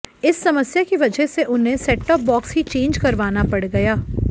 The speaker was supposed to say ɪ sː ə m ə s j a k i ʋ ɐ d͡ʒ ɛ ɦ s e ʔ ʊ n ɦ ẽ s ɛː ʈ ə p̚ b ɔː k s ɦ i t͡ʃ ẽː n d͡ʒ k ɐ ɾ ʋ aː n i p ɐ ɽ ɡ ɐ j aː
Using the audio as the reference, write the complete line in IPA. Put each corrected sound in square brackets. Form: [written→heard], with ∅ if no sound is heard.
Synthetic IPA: ɪ sː [ə→ɐ] m ə s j a k i ʋ ɐ d͡ʒ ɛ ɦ s e ʔ ʊ n ɦ ẽ s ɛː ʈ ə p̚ b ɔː k s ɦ i t͡ʃ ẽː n d͡ʒ k ɐ ɾ ʋ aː n [i→a] p ɐ ɽ ɡ ɐ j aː